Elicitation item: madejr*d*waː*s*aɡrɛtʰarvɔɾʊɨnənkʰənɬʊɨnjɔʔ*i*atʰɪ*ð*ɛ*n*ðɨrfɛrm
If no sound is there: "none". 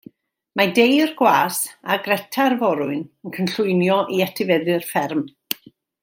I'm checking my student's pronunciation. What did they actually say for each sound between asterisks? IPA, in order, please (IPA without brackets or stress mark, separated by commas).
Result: ɡ, s, i, v, none